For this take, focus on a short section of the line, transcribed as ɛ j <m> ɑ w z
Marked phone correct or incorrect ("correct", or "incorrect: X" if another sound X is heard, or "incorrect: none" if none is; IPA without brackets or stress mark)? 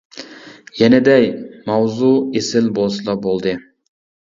correct